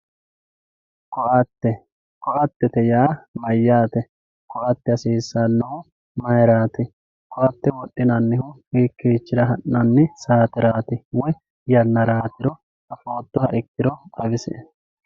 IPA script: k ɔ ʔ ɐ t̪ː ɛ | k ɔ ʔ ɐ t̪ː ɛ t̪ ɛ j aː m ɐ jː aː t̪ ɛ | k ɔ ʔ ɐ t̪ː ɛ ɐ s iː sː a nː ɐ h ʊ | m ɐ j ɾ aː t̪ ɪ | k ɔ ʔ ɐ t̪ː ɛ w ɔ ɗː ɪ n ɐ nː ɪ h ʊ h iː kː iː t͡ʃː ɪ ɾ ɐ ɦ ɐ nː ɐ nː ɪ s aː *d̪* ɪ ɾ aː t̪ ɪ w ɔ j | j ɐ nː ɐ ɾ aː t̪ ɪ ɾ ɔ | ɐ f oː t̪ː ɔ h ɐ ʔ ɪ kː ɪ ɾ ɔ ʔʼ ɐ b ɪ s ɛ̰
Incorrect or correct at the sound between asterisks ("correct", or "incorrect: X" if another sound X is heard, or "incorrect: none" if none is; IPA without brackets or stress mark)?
incorrect: t̪